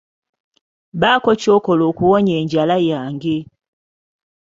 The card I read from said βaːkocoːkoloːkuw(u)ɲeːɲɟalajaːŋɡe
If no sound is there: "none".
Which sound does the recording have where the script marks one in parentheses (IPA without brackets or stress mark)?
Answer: o